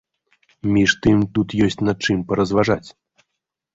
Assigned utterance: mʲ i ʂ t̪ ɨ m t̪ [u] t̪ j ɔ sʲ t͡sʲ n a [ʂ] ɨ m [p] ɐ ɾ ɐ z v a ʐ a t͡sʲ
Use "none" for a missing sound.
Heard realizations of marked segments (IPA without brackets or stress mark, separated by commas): u, t͡ʂ, p